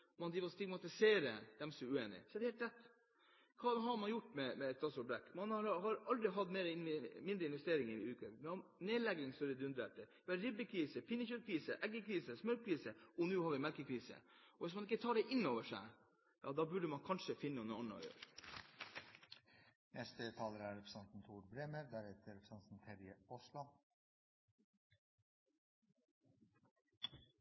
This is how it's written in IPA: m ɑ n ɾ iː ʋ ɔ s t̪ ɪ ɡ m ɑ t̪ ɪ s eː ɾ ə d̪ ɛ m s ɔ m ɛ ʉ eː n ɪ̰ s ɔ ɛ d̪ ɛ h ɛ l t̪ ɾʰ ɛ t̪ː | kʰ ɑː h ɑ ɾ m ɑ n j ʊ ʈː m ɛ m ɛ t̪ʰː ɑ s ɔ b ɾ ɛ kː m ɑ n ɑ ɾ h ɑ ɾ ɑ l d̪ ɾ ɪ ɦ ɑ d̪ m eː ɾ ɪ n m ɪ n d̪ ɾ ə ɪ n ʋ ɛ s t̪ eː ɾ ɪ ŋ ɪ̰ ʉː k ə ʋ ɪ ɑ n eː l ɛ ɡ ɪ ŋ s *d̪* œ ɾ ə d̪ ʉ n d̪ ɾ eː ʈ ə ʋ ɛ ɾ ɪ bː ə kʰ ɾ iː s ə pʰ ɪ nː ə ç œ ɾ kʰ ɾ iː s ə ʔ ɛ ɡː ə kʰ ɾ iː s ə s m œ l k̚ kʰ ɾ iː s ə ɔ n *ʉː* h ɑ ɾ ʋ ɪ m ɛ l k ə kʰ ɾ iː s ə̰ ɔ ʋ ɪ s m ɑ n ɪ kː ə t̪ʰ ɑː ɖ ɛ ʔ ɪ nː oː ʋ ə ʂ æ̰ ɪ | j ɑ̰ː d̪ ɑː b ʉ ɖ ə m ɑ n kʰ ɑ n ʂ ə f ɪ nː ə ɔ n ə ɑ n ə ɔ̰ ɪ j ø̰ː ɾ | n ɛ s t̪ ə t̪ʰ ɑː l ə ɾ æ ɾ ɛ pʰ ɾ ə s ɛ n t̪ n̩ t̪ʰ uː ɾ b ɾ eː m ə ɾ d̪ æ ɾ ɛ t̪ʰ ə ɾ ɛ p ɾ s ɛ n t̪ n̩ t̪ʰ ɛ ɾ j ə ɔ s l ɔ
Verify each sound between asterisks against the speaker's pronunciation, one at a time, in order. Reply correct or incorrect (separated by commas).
incorrect, correct